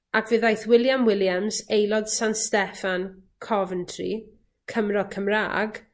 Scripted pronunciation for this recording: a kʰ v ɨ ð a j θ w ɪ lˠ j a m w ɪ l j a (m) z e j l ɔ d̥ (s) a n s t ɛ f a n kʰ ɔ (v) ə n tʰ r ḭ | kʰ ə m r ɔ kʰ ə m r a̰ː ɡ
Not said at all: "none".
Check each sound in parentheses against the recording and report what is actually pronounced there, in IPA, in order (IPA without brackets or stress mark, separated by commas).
m, s, v